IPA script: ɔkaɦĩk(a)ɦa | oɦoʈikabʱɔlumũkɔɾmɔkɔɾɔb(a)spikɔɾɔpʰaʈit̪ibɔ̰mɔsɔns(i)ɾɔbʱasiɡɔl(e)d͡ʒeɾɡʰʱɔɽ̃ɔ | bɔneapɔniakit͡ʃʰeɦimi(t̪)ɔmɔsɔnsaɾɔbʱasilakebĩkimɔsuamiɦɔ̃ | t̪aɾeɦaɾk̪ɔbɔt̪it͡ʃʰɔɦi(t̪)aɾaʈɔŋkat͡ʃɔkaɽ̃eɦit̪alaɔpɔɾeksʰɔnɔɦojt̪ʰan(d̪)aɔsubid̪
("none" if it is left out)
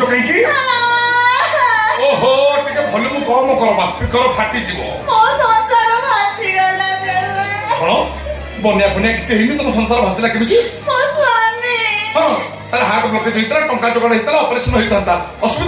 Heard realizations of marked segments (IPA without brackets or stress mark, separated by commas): i, a, a, a, t̪, t̪, t̪